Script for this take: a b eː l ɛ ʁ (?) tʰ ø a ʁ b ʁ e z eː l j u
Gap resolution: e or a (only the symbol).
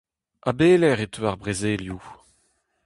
e